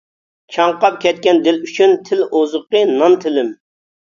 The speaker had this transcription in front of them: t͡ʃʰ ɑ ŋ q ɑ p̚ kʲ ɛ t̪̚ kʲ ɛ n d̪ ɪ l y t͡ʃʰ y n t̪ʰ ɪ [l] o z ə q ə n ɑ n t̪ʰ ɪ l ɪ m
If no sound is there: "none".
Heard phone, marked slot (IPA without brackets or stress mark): l